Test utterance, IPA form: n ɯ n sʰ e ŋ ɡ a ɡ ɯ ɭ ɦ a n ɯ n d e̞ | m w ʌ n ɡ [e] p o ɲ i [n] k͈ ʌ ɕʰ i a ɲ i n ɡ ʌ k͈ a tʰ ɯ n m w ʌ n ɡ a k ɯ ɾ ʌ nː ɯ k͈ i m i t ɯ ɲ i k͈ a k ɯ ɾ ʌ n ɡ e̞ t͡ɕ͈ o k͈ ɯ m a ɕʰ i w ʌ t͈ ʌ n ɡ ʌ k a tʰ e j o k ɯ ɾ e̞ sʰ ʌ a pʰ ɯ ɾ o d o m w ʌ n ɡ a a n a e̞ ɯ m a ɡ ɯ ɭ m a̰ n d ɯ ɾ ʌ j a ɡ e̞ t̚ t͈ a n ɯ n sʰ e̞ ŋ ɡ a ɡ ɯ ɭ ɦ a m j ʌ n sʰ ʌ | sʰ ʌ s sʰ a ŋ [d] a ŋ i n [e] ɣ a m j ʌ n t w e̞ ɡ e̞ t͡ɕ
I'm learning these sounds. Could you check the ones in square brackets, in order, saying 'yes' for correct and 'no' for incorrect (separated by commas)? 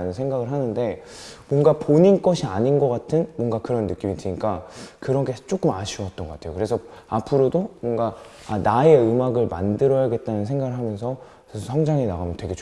no, yes, no, no